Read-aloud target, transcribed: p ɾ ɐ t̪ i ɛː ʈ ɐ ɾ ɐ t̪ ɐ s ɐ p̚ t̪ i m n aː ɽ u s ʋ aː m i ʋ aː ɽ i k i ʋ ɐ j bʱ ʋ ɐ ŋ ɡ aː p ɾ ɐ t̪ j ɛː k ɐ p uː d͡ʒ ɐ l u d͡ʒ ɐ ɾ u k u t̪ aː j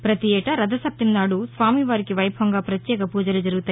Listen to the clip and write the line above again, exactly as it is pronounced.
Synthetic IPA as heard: p ɾ ɐ t̪ i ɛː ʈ ɐ ɾ ɐ d̪ ɐ s ɐ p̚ t̪ i m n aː ɽ u s ʋ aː m i ʋ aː ɾ i k i ʋ ɐ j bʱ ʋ ɐ ŋ ɡ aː p ɾ ɐ t̪ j ɛː k ɐ p uː d͡ʒ ɐ l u d͡ʒ ɐ ɾ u ɡ u t̪ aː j